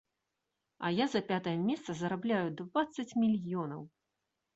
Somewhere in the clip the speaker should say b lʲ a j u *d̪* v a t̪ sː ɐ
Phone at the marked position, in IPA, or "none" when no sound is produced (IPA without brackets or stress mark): d̪